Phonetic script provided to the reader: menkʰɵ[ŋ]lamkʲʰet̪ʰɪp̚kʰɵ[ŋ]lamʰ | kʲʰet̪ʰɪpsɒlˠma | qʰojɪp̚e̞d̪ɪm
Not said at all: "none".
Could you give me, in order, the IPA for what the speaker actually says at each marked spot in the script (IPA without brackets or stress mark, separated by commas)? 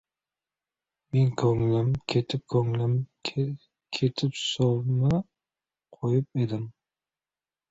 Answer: ŋ, ŋ